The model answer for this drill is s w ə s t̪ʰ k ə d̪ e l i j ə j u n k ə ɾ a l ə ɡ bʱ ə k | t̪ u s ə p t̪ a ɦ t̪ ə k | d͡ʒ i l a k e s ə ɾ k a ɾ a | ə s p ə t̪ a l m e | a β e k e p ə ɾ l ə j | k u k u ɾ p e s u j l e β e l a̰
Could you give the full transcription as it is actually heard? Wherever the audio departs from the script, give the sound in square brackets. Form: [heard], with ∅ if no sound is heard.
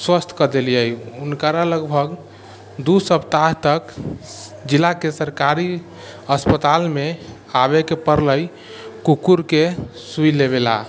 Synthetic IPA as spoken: s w ə s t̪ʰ k ə d̪ e l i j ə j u n k ə ɾ a l ə ɡ bʱ ə [ɡ] | [d̪] u s ə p t̪ a ɦ t̪ ə k | d͡ʒ i l a k e s ə ɾ k a ɾ [i] | ə s p ə t̪ a l m e | a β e k e p ə ɾ l ə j | k u k u ɾ [k] e s u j l e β e l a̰